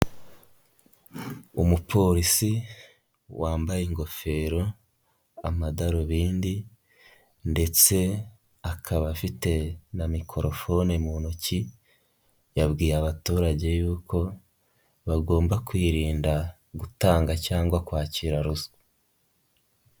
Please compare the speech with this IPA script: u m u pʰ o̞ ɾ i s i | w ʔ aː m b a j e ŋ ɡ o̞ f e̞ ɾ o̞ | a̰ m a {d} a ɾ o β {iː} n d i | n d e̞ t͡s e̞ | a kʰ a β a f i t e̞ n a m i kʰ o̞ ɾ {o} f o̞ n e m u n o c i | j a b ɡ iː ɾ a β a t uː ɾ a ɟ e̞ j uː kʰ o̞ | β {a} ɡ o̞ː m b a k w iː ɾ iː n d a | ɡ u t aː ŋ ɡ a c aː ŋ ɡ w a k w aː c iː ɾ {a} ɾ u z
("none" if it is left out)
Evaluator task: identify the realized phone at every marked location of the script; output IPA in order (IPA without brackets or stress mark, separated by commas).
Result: d, iː, o, a, a